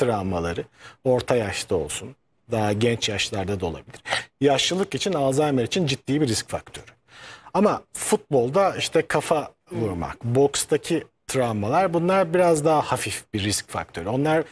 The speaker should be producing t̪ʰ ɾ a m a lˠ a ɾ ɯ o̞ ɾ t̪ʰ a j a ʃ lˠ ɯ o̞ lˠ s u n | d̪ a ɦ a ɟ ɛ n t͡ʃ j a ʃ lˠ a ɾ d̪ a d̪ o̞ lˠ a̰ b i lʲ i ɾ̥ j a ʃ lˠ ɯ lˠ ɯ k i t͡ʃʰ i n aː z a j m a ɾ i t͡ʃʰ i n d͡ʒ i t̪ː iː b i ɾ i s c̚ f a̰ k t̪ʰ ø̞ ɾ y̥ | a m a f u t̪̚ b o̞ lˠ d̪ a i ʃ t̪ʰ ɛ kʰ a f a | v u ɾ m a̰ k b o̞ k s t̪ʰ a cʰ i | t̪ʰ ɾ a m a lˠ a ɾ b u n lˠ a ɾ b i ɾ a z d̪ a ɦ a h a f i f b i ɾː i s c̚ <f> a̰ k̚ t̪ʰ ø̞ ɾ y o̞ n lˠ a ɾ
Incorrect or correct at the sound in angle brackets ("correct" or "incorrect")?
correct